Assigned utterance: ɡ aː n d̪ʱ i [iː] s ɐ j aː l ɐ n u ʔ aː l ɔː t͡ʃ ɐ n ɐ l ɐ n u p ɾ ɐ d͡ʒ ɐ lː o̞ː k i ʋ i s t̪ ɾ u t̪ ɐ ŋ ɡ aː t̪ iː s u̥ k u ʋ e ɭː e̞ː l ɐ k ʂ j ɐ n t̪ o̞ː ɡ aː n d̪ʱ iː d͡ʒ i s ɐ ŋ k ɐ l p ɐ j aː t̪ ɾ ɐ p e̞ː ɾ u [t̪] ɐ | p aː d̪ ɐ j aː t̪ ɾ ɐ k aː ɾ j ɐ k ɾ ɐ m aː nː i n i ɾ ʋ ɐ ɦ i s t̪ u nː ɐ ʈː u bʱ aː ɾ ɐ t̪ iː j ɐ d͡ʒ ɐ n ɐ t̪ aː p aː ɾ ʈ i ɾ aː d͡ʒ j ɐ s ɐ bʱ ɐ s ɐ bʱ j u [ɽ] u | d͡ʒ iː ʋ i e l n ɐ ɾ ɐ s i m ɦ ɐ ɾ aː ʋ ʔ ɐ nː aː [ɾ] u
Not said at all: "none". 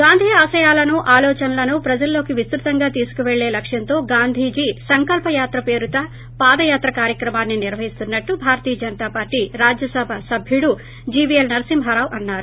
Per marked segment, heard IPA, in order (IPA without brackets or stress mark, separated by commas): aː, t̪, ɽ, ɾ